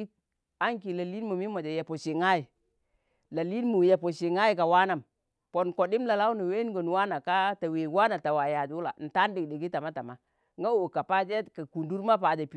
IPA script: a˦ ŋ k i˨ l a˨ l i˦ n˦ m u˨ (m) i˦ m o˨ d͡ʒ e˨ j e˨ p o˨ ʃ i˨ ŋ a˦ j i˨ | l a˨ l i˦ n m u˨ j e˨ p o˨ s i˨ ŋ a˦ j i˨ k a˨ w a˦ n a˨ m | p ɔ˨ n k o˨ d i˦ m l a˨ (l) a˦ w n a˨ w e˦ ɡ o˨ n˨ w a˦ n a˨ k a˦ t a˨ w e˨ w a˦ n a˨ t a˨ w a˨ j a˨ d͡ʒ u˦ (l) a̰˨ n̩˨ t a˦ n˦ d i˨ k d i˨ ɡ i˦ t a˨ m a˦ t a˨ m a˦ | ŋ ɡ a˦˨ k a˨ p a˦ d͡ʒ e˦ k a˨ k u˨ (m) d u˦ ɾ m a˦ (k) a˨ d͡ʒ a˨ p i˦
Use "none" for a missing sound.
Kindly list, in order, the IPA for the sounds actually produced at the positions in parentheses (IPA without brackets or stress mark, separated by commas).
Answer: m, l, l, n, p